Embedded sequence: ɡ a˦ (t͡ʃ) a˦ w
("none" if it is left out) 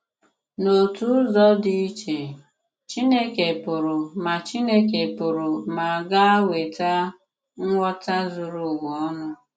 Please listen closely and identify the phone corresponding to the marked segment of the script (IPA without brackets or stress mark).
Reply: none